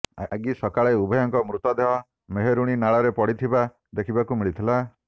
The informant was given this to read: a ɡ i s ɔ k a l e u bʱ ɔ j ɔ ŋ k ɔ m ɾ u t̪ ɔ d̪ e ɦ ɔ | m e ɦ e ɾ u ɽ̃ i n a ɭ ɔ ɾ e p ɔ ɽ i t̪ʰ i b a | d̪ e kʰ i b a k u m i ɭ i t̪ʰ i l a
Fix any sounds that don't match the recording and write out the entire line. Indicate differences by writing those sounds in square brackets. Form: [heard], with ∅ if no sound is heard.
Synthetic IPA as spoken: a ɡ i s ɔ k a [ɭ] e u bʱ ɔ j ɔ ŋ k ɔ m ɾ u t̪ ɔ d̪ e ɦ ɔ | m e ɦ e ɾ u ɽ̃ i n a ɭ ɔ ɾ e p ɔ ɽ i t̪ʰ i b a | d̪ e kʰ i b a k u m i ɭ i t̪ʰ i l a